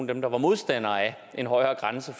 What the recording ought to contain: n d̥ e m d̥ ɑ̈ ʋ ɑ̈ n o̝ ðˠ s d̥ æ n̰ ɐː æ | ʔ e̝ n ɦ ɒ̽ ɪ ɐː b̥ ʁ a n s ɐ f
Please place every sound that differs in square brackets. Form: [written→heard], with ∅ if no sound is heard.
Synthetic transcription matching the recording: n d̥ e m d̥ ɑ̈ ʋ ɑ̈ [n→m] o̝ ðˠ s d̥ æ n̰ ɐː æ | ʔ e̝ n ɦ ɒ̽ ɪ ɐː [b̥→ɡ̥] ʁ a n s [ɐ→ə] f